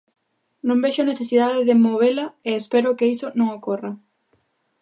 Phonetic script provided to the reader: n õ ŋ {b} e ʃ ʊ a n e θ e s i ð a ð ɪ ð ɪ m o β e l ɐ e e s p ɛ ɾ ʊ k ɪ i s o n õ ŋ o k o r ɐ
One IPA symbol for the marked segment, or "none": b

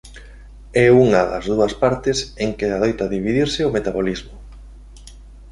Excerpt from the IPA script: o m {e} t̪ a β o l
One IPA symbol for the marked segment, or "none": e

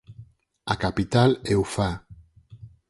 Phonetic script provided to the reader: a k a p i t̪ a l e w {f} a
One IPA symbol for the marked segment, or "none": f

